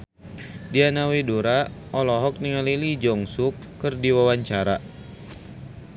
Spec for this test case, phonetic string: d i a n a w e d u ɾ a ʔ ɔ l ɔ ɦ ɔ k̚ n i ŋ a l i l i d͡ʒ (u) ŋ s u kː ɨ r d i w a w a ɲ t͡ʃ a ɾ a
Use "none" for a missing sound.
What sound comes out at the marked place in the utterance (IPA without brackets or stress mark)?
ɔ